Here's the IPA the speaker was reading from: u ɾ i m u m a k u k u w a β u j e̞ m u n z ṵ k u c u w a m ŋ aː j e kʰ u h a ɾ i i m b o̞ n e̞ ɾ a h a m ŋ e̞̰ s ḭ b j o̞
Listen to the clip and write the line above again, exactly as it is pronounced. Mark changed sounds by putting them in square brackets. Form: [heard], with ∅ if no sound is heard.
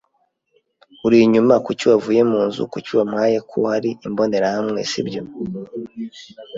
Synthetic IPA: u ɾ i [ɲ] u m a k u [c] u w a [v] u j e̞ m [uː] n z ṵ k u c u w a m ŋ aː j e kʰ u h a ɾ i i m b o̞ n e̞ ɾ a h a m ŋ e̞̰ s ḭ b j o̞